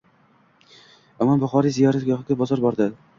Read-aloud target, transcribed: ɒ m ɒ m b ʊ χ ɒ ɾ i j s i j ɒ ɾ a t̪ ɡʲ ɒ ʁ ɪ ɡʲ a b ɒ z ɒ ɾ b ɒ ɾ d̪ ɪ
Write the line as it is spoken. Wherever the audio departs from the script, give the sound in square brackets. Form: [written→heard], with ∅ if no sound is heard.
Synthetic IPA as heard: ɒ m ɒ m b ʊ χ ɒ ɾ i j [s→z] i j ɒ ɾ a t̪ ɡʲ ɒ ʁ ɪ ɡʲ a b ɒ z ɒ ɾ b ɒ ɾ d̪ ɪ